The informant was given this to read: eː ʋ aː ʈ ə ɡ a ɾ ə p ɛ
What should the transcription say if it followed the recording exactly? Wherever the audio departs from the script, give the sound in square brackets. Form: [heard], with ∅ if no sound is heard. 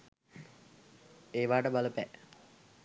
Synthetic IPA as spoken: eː ʋ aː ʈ ə [b] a [l] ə p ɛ